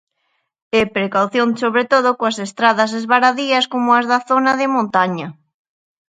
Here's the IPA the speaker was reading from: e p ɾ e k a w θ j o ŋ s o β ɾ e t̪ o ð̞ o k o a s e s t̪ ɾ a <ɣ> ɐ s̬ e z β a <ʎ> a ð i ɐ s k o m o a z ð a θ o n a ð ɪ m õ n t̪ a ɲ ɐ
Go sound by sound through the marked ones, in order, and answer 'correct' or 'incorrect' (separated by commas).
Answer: incorrect, incorrect